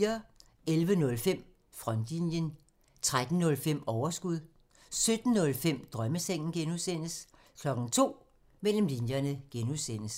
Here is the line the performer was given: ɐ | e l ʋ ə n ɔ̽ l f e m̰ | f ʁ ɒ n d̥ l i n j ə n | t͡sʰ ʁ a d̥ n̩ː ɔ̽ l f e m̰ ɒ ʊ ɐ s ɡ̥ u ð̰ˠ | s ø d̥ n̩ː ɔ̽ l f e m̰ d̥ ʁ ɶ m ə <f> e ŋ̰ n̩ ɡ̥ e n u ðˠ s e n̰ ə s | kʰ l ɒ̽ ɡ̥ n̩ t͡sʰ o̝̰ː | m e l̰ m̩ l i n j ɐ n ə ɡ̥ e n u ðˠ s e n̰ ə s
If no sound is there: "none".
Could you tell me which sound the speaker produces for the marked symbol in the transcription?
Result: s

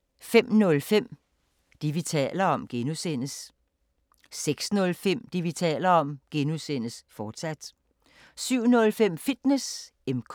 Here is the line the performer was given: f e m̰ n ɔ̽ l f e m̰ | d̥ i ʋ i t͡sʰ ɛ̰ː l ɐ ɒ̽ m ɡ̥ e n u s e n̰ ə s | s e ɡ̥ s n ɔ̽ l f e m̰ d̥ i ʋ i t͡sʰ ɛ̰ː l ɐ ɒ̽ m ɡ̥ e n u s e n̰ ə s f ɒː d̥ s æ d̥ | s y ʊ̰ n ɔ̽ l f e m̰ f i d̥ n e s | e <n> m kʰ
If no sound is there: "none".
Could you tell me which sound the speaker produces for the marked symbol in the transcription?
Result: none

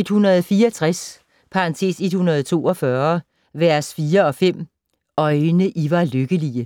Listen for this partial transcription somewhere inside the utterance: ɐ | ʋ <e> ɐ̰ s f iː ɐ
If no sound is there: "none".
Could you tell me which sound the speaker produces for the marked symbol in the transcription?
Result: æ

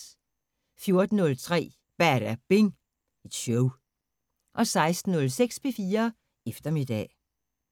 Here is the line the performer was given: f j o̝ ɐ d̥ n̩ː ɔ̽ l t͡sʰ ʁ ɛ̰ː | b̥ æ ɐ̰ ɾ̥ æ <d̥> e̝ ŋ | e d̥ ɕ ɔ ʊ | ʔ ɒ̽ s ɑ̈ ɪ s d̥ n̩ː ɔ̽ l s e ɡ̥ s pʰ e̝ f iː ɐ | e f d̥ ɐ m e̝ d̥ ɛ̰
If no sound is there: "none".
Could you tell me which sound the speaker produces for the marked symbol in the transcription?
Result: b̥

